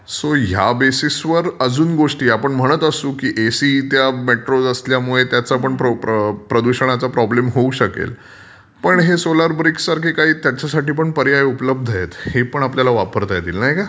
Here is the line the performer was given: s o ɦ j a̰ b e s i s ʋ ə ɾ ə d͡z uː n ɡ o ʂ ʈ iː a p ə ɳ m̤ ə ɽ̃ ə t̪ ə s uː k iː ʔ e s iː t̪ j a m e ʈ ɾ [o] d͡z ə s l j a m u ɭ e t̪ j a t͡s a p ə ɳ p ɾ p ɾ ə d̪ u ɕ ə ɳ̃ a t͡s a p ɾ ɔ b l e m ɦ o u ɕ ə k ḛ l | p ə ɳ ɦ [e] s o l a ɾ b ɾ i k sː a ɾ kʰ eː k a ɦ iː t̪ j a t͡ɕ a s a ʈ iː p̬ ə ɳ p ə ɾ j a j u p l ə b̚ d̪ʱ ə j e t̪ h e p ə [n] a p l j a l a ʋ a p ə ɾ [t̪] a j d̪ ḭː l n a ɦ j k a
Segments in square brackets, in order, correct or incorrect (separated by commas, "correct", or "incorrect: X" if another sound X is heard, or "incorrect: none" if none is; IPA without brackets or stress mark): correct, correct, incorrect: ɳ, correct